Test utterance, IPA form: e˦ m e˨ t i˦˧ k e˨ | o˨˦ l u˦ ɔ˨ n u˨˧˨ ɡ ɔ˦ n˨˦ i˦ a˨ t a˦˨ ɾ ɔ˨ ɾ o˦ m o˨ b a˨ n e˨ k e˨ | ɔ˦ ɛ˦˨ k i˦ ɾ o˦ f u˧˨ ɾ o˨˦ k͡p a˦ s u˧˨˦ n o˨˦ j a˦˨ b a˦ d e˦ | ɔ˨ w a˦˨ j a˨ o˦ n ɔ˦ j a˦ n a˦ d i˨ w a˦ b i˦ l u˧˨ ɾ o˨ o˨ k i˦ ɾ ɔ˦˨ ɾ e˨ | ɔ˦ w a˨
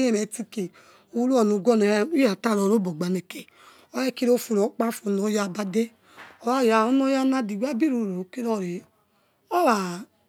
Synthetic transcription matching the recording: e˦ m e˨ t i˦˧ k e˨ | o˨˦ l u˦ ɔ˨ n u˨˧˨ ɡ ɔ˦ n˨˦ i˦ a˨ t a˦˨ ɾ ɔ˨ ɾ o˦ b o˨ ɡ͡b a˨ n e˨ k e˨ | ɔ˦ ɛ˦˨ k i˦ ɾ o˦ f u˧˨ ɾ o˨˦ k͡p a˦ f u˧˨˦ n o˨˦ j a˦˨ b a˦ d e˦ | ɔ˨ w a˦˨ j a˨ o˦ n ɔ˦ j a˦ n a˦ d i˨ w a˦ b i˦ ɾ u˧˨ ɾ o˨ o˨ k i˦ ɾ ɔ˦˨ ɾ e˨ | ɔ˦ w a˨